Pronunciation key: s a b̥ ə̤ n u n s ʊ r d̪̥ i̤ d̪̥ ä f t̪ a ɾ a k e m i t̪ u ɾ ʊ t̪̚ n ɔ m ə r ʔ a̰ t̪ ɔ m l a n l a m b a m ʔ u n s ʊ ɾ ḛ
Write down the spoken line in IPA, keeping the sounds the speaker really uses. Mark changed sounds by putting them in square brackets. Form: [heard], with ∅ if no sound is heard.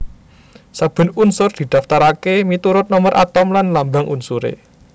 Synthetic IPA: s a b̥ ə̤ n u n s ʊ r d̪̥ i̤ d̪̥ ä f t̪ a ɾ a k e m i t̪ u ɾ ʊ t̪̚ n ɔ m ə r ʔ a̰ t̪ ɔ m l a n l a m b a [ŋ] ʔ u n s [u] ɾ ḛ